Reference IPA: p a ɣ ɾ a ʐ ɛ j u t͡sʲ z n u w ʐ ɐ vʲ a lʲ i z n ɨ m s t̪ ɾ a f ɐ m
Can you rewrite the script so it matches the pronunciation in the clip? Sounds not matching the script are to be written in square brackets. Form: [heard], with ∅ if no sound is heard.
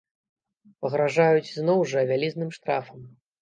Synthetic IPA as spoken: p [ɐ] ɣ ɾ a ʐ [a] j u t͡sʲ z n [ɔ] w ʐ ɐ vʲ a lʲ i z n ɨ m [ʂ] t̪ ɾ a f ɐ m